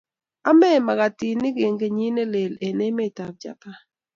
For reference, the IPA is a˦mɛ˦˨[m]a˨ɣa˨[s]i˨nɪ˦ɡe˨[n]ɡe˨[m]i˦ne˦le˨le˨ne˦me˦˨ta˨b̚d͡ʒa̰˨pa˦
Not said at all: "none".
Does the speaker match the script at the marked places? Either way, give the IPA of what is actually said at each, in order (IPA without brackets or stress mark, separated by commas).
m, t, ŋ, ɲ